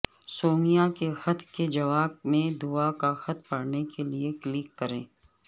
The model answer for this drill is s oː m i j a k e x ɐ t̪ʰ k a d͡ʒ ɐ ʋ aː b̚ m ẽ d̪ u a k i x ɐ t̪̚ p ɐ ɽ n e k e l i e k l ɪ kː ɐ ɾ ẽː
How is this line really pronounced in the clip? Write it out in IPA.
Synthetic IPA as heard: s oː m i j a k e x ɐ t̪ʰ k e d͡ʒ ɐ ʋ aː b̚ m ẽ d̪ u a k a x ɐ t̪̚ p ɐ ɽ n e k e l i e k l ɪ kː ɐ ɾ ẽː